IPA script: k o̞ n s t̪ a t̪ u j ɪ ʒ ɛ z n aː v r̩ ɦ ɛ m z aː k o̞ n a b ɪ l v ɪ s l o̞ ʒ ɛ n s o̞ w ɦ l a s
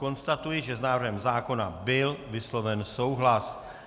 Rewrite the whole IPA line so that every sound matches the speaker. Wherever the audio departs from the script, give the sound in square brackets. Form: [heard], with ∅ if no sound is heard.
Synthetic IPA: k o̞ n s t̪ a t̪ u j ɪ ʒ ɛ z n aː v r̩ ɦ ɛ m z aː k o̞ n a b ɪ l v ɪ s l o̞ [v] ɛ n s o̞ w ɦ l a s